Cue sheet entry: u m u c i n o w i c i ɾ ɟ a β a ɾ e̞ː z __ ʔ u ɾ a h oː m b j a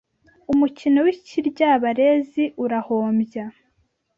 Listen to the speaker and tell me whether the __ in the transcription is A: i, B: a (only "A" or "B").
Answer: A